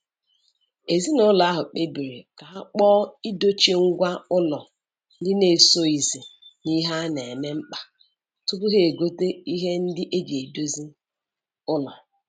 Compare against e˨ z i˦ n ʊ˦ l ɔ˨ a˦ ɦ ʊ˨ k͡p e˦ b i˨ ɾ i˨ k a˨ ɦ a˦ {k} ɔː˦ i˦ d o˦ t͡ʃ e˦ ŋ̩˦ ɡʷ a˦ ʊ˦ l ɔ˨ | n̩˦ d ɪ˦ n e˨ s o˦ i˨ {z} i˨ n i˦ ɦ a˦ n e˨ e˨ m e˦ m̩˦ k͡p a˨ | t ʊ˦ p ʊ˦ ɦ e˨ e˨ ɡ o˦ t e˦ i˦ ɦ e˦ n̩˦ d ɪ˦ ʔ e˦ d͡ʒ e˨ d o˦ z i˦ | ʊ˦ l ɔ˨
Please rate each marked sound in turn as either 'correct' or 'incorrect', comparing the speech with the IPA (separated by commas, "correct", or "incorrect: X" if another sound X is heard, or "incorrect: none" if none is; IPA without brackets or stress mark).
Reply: incorrect: k͡p, correct